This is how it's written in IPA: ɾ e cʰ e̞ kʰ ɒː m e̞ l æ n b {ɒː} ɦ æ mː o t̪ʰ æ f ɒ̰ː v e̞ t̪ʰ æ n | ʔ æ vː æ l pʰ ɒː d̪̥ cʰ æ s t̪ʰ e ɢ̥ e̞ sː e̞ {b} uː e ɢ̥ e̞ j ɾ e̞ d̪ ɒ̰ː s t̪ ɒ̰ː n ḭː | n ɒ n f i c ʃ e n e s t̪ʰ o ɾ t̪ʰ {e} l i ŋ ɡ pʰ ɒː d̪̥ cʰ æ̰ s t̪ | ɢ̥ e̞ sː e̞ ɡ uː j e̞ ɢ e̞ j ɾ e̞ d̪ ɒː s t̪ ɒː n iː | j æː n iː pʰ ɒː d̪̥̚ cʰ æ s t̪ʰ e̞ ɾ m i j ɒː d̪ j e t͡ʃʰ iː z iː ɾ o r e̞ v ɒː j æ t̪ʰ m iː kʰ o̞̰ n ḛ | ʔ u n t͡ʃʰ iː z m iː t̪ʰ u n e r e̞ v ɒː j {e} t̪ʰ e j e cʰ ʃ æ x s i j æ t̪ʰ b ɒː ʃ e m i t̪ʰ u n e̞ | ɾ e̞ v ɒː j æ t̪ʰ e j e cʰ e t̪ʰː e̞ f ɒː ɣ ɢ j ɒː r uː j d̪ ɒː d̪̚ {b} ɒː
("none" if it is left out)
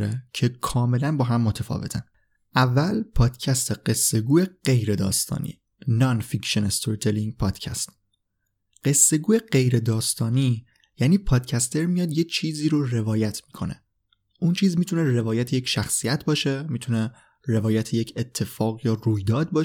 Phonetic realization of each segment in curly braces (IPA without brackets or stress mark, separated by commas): ɒː, ɡ, e, æ, b